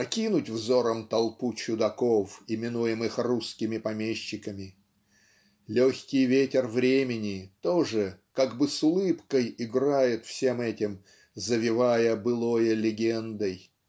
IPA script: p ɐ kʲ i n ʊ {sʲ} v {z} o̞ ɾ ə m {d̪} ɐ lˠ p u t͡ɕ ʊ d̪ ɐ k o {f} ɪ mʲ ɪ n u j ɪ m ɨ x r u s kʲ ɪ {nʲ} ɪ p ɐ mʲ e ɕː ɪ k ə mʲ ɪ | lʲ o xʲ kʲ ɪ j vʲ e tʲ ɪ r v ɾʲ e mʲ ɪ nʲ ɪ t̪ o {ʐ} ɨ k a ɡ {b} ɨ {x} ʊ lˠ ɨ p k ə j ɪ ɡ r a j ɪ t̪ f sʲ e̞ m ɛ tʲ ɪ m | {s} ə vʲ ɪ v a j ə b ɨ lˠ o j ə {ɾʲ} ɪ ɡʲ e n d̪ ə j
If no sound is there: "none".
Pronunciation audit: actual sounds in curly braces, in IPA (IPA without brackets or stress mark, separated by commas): tʲ, z, t̪, f, mʲ, ʐ, b, s, z, lʲ